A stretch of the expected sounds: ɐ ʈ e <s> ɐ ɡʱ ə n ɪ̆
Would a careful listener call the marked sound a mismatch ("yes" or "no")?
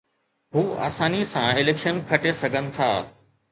no